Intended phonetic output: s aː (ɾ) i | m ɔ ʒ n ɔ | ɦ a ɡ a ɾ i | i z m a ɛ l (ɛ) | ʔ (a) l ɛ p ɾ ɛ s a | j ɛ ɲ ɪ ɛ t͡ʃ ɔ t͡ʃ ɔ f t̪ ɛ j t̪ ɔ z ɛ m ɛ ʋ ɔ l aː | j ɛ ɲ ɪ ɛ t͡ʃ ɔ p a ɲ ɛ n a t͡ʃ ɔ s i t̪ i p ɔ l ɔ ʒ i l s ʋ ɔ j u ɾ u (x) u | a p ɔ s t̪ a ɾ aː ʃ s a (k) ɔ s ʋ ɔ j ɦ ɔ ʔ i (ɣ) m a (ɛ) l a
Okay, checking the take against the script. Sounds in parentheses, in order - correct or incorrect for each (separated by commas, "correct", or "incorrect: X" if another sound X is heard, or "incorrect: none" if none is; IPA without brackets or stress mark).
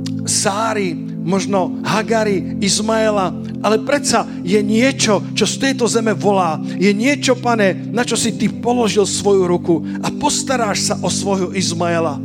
correct, incorrect: a, correct, incorrect: k, incorrect: ʔ, incorrect: z, correct